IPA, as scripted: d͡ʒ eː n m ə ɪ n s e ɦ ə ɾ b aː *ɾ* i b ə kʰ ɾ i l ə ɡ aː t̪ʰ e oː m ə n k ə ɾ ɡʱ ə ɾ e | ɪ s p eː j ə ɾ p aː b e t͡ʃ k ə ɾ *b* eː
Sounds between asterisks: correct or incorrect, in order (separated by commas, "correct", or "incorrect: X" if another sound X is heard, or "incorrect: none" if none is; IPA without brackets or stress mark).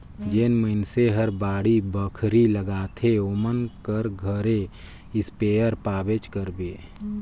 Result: incorrect: ɽ, correct